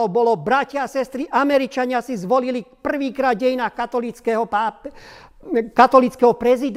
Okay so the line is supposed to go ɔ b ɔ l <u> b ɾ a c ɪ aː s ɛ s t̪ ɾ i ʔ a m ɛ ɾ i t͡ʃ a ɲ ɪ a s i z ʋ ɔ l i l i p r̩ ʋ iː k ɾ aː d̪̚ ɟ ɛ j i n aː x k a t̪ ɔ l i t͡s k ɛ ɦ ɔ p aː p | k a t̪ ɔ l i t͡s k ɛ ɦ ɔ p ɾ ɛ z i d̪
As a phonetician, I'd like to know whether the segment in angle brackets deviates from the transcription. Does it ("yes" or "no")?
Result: yes